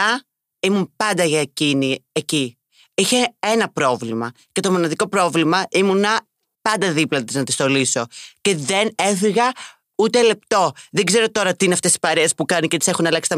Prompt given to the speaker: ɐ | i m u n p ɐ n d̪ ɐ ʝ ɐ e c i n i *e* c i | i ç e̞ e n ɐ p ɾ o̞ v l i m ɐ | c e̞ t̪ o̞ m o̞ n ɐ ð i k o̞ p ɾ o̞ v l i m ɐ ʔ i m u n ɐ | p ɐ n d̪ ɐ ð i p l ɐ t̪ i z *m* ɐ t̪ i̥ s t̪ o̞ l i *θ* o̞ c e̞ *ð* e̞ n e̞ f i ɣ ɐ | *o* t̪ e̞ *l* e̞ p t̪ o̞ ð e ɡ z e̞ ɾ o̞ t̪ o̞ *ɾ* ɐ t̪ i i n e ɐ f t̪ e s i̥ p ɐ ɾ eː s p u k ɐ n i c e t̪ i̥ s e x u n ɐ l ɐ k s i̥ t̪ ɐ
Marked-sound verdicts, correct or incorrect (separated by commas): correct, incorrect, incorrect, correct, incorrect, correct, correct